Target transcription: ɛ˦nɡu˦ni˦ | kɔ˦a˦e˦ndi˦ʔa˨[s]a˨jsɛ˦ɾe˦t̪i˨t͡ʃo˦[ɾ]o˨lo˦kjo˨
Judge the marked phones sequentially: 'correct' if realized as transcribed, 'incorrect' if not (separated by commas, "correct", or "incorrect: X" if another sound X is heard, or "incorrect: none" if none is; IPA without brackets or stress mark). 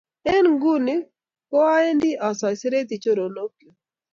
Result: correct, correct